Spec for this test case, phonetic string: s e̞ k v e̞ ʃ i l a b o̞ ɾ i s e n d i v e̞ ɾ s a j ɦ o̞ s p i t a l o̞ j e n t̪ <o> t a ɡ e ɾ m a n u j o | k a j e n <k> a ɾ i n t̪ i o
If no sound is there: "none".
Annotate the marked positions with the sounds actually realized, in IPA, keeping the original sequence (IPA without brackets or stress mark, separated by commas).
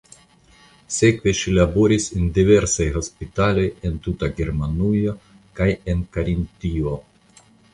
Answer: u, k